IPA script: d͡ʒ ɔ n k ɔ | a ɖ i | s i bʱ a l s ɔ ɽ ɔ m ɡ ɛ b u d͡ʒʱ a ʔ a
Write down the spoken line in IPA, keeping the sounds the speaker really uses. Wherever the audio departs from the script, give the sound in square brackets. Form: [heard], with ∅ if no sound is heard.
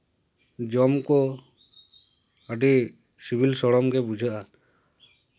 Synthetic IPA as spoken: d͡ʒ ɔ [m] k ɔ | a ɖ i | s i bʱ [i] l s ɔ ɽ ɔ m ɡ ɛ b u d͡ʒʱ a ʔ a